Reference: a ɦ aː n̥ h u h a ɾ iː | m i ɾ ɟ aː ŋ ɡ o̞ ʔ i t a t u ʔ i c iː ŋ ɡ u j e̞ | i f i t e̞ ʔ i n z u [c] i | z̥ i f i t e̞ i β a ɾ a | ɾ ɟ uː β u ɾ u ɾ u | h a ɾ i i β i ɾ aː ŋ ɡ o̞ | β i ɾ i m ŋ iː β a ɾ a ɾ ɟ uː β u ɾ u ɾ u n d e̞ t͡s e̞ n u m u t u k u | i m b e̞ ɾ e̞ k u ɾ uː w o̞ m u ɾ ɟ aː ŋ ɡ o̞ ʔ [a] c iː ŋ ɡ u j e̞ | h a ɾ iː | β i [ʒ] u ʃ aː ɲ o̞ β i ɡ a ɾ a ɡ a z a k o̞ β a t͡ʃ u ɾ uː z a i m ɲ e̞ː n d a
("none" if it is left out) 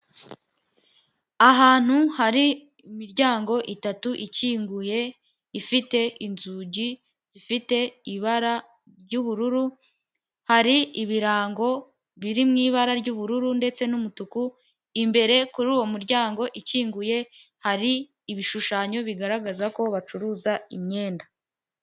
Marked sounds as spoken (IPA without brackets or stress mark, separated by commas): ɟ, i, ʃ